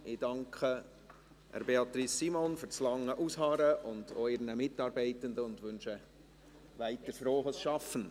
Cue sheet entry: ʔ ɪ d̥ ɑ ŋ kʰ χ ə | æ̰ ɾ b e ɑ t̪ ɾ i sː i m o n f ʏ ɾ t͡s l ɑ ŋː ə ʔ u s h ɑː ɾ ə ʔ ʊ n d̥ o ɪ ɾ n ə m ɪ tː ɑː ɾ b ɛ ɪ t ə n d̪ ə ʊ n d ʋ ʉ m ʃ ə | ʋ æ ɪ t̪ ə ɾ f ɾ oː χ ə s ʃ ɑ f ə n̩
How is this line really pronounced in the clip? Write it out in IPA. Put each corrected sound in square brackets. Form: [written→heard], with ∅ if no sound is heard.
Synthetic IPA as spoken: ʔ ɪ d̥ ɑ ŋ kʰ χ ə | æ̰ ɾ b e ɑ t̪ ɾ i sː i m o n f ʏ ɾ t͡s l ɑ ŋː ə ʔ u s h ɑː ɾ ə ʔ ʊ n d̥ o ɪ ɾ n ə m ɪ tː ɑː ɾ b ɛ ɪ t ə n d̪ ə ʊ n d ʋ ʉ [m→n] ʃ ə | ʋ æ ɪ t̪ ə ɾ f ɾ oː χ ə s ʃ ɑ f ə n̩